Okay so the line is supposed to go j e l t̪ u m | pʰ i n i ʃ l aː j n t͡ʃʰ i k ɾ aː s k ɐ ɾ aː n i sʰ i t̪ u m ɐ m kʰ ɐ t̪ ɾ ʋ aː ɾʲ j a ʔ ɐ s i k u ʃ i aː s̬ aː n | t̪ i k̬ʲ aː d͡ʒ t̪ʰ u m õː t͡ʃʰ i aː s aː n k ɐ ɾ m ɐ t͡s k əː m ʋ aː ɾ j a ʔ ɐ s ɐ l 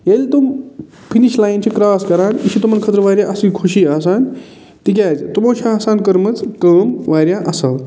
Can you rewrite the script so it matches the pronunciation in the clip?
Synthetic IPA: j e l t̪ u m | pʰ i n i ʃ l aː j n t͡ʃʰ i k ɾ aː s k ɐ ɾ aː n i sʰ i t̪ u m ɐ n kʰ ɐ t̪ ɾ ʋ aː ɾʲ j a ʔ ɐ s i kʰ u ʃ i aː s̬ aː n | t̪ i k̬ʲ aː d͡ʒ t̪ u m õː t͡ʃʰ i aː s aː n k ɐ ɾ m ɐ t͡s k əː m ʋ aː ɾ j a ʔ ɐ s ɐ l